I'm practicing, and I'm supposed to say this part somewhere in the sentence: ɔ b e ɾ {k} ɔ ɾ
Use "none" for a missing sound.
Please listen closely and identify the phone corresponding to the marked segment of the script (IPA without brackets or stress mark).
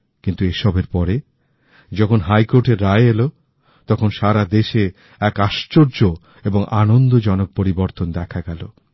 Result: p